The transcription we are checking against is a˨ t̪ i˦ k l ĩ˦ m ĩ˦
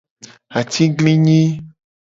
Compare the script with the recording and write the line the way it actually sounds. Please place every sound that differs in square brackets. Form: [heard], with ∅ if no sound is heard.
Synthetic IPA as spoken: a˨ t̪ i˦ [ɡ] l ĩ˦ [ɲ] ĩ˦